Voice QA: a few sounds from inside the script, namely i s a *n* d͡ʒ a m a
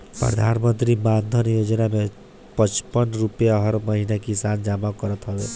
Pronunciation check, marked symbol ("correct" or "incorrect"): correct